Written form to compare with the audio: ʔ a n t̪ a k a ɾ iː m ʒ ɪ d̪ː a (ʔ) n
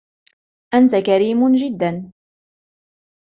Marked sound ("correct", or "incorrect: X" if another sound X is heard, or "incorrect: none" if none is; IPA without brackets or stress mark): incorrect: none